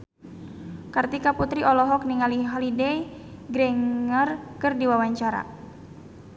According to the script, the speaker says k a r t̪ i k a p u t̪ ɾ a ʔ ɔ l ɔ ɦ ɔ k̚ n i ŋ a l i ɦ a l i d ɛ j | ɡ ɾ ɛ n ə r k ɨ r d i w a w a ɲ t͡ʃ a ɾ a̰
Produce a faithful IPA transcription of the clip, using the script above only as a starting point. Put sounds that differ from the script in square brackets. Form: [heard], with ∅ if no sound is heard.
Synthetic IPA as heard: k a r t̪ i k a p u t̪ ɾ [i] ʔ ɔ l ɔ ɦ ɔ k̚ n i ŋ a l i ɦ a l i d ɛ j | ɡ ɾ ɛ [ŋ] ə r k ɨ r d i w a w a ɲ t͡ʃ a ɾ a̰